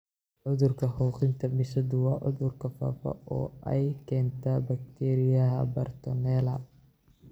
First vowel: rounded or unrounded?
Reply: rounded